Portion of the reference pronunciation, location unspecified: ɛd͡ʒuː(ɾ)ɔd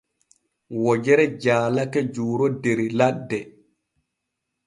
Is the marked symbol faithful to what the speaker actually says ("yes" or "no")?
yes